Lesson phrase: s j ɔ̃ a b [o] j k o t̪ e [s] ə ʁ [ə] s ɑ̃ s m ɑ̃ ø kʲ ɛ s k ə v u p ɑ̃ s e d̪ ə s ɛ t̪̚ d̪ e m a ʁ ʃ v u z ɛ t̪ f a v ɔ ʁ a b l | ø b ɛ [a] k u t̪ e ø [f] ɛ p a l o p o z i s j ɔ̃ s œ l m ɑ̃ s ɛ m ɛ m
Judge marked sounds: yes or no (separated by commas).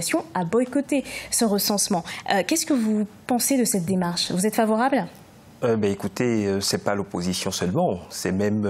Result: no, yes, yes, no, no